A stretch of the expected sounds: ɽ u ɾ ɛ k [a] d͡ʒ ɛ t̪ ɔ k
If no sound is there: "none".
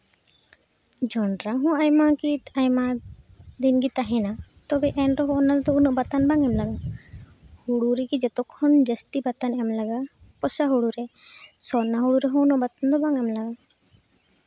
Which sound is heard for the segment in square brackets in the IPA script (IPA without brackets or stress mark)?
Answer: i